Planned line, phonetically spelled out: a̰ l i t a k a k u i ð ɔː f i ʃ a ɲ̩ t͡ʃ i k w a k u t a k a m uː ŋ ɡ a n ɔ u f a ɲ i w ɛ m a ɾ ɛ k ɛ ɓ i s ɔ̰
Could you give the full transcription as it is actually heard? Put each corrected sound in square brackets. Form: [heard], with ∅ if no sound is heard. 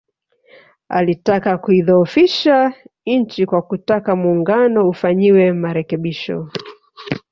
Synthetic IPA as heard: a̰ l i t a k a k u i ð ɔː f i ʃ a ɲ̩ t͡ʃ i k w a k u t a k a m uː ŋ ɡ a n ɔ u f a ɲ i w ɛ m a ɾ ɛ k ɛ ɓ i [ʃ] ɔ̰